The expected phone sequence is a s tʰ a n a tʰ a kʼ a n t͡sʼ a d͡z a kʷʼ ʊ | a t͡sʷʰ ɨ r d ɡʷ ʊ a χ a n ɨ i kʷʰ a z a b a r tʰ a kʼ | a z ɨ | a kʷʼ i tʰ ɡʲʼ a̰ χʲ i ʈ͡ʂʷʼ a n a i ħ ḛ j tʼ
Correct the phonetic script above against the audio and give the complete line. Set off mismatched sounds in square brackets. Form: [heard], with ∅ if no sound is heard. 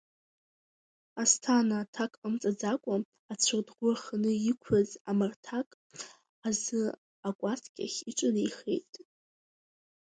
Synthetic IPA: a s tʰ a n a tʰ a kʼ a [m] t͡sʼ a d͡z a kʷʼ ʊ | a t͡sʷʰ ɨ r d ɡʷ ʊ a χ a n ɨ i kʷʰ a z a [m] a r tʰ a kʼ | a z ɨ | a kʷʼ [a] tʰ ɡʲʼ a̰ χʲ i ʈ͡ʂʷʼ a n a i [χ] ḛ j tʼ